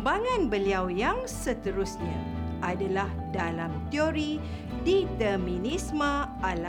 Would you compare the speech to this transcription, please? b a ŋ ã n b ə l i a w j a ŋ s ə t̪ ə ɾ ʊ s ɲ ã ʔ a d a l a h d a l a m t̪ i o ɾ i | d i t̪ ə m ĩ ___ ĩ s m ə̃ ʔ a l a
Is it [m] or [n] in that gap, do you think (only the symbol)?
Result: n